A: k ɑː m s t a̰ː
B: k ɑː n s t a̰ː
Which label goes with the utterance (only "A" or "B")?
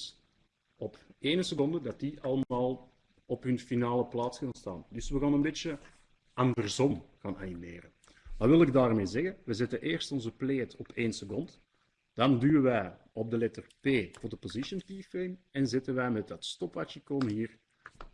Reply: B